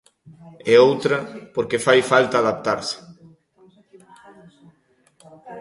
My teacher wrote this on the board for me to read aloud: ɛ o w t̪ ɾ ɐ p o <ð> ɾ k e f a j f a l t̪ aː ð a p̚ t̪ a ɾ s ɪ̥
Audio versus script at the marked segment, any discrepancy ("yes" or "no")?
yes